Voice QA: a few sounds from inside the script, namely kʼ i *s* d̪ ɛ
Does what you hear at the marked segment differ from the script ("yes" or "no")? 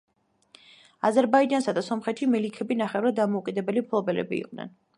yes